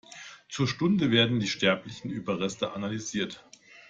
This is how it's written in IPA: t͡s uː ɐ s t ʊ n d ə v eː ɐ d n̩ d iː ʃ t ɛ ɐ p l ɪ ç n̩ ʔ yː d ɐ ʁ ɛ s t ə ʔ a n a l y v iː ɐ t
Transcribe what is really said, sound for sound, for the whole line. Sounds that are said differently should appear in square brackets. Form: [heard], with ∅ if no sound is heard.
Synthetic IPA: t͡s uː ɐ [ʃ] t ʊ n d ə v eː ɐ d n̩ d iː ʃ t ɛ ɐ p l ɪ ç n̩ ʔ yː [b] ɐ ʁ ɛ s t ə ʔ a n a l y [z] iː ɐ t